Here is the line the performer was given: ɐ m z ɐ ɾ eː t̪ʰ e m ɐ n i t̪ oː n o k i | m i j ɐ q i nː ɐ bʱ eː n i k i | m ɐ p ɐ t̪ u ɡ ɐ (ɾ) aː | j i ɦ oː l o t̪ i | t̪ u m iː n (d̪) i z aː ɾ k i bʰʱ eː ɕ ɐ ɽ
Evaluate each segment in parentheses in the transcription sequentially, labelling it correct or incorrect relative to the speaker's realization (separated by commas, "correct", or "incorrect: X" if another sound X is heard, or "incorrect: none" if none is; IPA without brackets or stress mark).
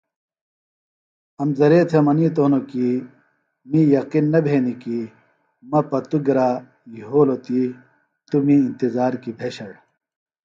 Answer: correct, incorrect: t̪